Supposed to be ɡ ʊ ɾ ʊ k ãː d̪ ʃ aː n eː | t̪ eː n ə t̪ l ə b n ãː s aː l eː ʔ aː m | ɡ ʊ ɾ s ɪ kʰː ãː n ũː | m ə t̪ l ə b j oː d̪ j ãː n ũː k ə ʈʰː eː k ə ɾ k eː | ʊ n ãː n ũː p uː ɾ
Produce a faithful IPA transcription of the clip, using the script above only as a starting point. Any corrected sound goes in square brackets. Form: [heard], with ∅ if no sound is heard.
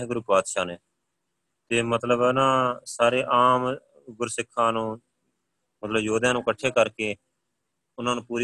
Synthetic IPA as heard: ɡ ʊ ɾ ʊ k [aː] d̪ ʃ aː n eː | t̪ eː [m] ə t̪ l ə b n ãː s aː [ɾ] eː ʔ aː m | ɡ ʊ ɾ s ɪ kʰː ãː n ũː | m ə t̪ l ə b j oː d̪ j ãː n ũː k ə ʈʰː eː k ə ɾ k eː | ʊ n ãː n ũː p uː ɾ